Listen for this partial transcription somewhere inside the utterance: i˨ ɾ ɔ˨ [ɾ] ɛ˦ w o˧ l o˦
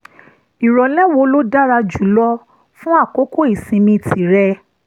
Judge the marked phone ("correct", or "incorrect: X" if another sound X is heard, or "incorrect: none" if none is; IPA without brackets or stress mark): incorrect: l